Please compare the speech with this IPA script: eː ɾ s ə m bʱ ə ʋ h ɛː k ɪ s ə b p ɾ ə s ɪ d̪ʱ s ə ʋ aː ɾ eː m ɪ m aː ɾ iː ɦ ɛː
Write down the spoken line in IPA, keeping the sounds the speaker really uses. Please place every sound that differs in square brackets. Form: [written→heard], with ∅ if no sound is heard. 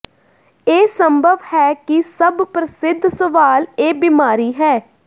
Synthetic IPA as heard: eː [ɾ→∅] s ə m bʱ ə ʋ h ɛː k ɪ s ə b p ɾ ə s ɪ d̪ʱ s ə ʋ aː [ɾ→l] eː [m→b] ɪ m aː ɾ iː ɦ ɛː